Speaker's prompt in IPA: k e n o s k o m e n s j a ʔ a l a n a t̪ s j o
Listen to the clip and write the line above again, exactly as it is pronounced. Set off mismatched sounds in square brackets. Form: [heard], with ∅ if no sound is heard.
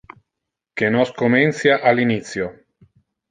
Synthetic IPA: k e n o s k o m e n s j a ʔ a l [i] n [i] t̪ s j o